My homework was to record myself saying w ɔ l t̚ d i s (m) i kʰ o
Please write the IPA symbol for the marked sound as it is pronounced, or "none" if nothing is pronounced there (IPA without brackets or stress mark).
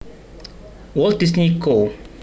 n